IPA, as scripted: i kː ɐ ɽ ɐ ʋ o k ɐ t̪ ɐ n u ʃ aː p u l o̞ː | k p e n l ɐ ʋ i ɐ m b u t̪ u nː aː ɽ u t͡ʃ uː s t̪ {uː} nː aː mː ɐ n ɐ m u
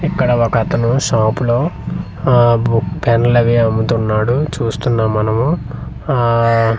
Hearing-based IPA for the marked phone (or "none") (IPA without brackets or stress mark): u